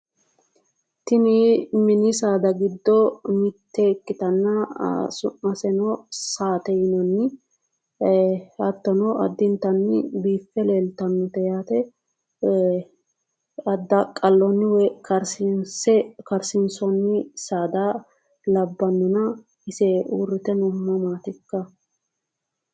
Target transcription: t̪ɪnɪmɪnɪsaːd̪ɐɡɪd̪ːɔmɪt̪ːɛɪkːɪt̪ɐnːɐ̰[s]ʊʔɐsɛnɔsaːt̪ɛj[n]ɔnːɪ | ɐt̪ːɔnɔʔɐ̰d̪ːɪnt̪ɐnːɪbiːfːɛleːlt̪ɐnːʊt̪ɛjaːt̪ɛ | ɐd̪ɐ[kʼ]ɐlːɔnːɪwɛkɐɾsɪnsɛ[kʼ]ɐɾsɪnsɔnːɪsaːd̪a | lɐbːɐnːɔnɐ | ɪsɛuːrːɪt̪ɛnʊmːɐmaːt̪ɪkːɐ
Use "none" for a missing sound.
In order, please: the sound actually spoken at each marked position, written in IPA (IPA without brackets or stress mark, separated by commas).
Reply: s, n, kʼ, k